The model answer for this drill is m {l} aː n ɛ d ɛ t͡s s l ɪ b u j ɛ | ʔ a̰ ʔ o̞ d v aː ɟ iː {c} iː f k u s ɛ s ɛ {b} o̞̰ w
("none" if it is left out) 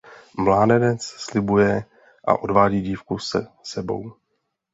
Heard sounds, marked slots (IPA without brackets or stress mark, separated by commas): l, ɟ, b